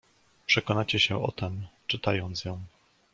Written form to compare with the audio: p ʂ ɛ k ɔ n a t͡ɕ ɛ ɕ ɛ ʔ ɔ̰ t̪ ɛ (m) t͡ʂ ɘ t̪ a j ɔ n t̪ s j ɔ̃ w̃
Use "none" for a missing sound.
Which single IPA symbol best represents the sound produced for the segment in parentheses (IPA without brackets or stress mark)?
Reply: m